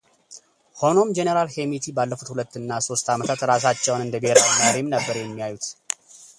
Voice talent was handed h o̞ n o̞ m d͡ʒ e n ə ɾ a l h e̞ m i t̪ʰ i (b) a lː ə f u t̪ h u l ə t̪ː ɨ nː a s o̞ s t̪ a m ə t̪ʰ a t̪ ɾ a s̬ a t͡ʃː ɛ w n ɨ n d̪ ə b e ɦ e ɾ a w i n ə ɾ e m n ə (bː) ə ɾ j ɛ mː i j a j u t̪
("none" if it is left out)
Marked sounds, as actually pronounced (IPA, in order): b, bː

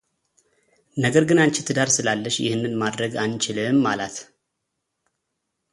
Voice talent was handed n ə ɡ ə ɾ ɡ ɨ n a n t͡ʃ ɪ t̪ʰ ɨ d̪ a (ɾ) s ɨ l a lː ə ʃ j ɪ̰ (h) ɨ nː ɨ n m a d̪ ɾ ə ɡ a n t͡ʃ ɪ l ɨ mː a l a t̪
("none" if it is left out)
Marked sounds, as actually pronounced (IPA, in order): ɾ, h

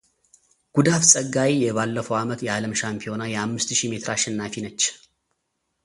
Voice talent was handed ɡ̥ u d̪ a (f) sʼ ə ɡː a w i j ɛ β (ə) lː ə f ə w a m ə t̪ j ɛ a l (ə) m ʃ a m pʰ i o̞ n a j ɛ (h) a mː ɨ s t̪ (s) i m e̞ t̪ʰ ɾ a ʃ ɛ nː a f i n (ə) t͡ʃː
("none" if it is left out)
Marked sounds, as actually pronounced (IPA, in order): f, a, ə, h, ʃ, ə

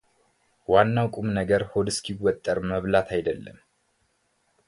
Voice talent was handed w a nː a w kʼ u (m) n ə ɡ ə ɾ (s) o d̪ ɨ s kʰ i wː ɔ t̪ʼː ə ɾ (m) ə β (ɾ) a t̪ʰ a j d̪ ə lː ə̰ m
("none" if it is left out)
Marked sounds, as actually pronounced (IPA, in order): m, h, m, l

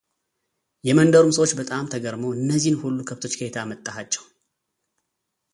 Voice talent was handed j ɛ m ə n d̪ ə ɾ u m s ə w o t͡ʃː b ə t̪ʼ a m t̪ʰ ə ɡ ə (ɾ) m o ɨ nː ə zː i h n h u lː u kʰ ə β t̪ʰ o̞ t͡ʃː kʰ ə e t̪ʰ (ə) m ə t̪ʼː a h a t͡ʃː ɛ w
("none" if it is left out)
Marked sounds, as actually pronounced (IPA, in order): ɾ, a

